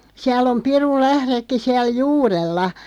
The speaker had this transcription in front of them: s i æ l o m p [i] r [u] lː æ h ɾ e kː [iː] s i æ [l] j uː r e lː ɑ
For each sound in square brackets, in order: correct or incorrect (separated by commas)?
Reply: correct, correct, incorrect, correct